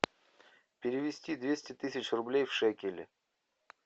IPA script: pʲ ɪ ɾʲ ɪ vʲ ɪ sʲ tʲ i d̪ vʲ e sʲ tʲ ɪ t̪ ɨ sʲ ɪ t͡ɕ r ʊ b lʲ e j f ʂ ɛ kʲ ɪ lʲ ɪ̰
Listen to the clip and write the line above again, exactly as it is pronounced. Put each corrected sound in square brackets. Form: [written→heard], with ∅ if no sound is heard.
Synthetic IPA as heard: pʲ ɪ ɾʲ ɪ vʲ ɪ sʲ tʲ i d̪ vʲ e sʲ tʲ ɪ t̪ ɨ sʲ ɪ t͡ɕ r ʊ b lʲ e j f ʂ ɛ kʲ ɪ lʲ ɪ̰

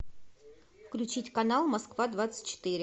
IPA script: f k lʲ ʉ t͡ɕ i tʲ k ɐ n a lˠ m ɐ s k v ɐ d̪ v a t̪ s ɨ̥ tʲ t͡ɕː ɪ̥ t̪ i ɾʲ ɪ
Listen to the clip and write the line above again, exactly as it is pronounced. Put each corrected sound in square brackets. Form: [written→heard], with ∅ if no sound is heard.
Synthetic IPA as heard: f k lʲ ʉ t͡ɕ i tʲ k ɐ n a lˠ m ɐ s k v [ɐ→a] d̪ v a t̪ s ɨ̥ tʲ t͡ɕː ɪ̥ t̪ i ɾʲ ɪ

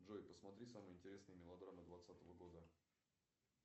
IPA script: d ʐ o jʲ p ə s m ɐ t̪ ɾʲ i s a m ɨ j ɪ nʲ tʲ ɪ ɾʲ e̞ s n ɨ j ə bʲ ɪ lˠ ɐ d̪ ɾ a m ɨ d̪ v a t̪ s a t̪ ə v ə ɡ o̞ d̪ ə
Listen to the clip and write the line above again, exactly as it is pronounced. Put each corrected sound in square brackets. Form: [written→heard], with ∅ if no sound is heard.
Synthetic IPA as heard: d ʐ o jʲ p ə s m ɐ t̪ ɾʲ i s a m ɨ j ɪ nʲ tʲ ɪ ɾʲ e̞ s n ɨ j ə [bʲ→mʲ] ɪ lˠ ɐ d̪ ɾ a m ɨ d̪ v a t̪ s a t̪ ə v ə ɡ o̞ d̪ ə

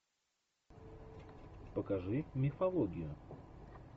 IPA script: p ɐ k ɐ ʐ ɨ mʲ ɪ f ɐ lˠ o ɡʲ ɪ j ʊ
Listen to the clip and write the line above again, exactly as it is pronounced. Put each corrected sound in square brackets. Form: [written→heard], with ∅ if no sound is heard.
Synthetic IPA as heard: p [ɐ→ə] k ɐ ʐ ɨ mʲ ɪ f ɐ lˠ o ɡʲ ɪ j ʊ

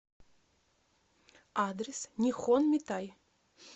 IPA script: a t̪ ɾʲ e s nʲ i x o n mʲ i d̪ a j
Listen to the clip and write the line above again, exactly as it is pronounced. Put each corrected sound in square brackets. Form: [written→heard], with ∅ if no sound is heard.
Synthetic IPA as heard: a [t̪→d̪] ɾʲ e s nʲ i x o n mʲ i [d̪→t̪] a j

